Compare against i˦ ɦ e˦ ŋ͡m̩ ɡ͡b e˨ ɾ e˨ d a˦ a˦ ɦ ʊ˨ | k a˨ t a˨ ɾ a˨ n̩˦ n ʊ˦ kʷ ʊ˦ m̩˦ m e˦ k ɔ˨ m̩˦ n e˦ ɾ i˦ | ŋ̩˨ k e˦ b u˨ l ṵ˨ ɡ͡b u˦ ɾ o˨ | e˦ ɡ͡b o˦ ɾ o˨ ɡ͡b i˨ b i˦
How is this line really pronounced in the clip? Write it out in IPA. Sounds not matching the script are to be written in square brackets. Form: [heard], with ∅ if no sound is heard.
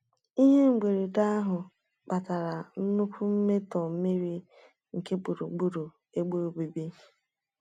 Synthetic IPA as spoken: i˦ ɦ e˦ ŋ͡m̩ ɡ͡b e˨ ɾ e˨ d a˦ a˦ ɦ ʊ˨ | [k͡p] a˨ t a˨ ɾ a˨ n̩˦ n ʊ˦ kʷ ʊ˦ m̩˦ m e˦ [t] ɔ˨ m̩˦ [m] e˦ ɾ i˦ | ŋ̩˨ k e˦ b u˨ [ɾ] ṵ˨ ɡ͡b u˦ ɾ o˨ | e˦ ɡ͡b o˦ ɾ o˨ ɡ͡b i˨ b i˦